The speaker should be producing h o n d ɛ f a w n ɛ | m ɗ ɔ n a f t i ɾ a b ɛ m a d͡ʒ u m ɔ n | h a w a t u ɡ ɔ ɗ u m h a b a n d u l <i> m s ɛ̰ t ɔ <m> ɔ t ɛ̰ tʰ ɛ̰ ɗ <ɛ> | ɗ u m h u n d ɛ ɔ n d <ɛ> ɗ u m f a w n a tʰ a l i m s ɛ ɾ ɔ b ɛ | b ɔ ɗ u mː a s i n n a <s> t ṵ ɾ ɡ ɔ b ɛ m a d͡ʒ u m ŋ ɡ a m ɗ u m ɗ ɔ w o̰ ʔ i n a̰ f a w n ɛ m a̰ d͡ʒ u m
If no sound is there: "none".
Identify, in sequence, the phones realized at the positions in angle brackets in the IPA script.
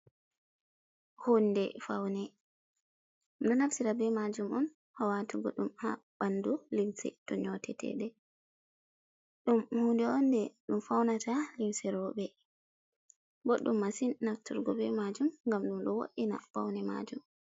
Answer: i, ɲ, ɛ, ɛ, f

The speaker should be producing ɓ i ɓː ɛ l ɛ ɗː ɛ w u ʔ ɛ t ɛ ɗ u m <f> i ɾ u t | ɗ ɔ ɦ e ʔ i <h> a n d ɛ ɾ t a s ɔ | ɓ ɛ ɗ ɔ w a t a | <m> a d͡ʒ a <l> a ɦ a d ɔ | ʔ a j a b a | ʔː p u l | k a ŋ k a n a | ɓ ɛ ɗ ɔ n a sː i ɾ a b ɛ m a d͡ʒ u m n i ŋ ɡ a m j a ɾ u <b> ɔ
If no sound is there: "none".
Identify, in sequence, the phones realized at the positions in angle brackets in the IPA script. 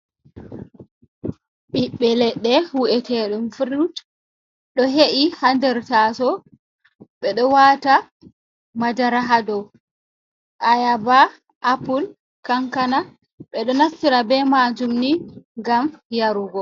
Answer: f, h, m, ɾ, ɡ

